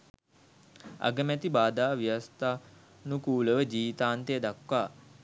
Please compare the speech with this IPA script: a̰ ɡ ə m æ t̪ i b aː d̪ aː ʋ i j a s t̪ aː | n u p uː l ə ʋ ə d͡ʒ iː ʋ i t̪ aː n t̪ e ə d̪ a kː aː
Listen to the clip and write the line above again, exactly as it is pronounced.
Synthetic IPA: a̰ ɡ ə m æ t̪ i b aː d̪ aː ʋ i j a s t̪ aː | n u k uː l ə ʋ ə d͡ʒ iː ʋ i t̪ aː n t̪ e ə d̪ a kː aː